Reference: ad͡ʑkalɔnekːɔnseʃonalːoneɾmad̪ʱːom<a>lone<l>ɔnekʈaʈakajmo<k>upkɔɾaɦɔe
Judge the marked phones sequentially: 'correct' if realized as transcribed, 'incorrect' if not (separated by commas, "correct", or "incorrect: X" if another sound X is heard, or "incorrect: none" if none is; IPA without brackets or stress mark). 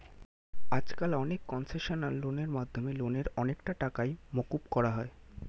incorrect: e, incorrect: ɾ, correct